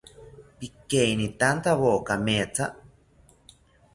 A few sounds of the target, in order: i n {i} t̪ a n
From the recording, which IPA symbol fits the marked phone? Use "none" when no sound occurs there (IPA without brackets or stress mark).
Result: i